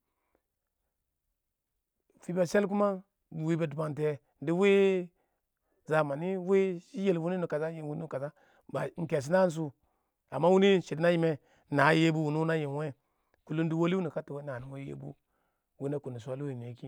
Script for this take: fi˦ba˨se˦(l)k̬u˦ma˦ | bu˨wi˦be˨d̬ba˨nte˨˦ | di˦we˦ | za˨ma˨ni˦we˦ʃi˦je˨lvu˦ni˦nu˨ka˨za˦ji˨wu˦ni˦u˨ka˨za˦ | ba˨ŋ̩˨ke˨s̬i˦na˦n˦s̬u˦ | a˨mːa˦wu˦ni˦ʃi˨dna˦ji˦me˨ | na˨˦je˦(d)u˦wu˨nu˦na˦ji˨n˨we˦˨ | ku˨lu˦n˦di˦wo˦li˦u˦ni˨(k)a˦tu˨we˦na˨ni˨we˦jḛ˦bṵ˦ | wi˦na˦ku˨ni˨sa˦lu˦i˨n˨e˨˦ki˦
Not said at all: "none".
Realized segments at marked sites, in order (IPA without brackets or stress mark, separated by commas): l, b, k